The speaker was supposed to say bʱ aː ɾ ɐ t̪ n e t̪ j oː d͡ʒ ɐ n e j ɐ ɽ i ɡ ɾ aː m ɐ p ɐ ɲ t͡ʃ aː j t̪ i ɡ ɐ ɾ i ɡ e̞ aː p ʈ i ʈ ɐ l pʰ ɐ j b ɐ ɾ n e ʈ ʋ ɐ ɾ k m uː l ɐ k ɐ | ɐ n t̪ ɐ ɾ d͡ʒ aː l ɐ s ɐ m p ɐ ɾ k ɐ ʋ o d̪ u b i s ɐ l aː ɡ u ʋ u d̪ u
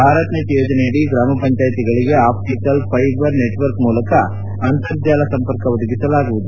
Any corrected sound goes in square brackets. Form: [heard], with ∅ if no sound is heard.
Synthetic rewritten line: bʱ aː ɾ ɐ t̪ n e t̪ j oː d͡ʒ ɐ n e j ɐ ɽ i ɡ ɾ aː m ɐ p ɐ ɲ t͡ʃ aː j t̪ i ɡ ɐ [ɭ] i ɡ e̞ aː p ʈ i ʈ ɐ l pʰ ɐ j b ɐ ɾ n e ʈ ʋ ɐ ɾ k m uː l ɐ k ɐ | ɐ n t̪ ɐ ɾ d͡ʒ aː l ɐ s ɐ m p ɐ ɾ k ɐ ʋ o d̪ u [ɡ] i s ɐ l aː ɡ u ʋ u d̪ u